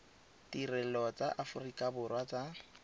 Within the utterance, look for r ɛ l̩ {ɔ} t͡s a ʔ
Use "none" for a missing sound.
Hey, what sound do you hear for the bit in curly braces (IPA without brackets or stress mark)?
ɔ